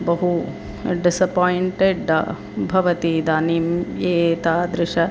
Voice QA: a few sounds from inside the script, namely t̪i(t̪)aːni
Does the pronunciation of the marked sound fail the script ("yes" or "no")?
yes